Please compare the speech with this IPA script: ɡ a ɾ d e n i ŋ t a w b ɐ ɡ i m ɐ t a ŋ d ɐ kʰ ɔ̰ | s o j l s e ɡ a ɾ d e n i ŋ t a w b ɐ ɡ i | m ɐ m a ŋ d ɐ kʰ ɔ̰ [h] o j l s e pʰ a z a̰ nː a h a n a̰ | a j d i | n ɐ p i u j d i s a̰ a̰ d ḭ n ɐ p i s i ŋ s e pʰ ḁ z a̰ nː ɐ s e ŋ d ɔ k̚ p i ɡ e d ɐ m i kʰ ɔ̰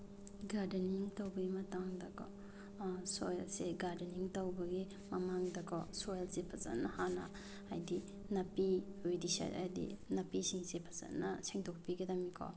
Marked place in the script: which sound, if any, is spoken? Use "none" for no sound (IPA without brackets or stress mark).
s